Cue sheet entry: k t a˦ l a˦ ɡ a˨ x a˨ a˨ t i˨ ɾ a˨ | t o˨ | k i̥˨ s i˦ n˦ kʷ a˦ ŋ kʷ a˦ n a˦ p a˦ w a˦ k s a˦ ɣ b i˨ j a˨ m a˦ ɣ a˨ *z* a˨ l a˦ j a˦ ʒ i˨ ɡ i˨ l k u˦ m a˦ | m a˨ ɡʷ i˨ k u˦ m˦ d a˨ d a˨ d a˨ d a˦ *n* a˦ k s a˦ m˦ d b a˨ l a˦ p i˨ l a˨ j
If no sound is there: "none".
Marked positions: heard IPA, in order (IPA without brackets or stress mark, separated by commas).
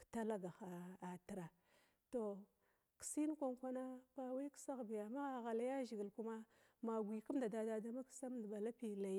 ɣ, m